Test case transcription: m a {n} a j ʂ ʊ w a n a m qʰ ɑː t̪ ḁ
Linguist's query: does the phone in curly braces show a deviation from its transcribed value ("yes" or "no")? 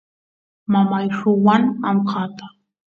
yes